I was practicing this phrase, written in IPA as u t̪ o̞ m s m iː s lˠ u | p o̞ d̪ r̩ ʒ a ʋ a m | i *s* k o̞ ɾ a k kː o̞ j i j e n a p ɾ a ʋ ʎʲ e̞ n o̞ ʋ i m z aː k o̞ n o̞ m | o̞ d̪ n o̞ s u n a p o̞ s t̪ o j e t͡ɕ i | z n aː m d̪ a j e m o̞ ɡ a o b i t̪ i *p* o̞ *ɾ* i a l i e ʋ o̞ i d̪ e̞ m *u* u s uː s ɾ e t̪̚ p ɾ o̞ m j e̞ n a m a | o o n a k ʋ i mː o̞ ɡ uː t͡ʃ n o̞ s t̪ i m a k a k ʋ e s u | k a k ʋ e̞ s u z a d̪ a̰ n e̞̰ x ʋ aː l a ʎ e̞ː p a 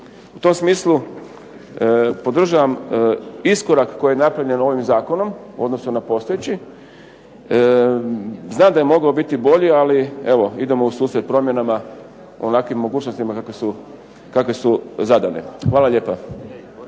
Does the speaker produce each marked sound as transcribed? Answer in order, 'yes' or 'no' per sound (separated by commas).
yes, no, no, no